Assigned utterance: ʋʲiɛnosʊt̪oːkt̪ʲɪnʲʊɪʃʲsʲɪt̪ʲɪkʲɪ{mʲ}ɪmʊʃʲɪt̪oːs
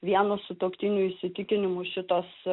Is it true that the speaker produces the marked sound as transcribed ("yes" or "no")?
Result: no